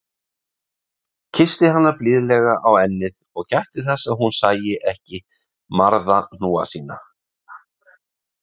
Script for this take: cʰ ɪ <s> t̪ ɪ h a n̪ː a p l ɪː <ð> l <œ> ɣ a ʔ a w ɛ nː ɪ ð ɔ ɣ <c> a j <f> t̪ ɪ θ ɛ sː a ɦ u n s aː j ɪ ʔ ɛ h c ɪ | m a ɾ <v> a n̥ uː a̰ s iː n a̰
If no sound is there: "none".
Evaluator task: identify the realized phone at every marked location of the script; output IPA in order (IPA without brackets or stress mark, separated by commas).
s, ð, ɛ, c, h, ð